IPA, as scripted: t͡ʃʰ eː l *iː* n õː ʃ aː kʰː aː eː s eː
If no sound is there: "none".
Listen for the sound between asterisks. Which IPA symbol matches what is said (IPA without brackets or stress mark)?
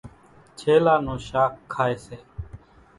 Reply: aː